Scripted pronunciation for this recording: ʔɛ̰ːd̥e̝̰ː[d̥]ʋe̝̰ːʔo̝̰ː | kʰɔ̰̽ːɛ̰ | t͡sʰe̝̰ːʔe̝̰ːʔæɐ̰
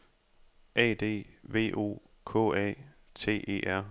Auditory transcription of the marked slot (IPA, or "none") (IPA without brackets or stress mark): none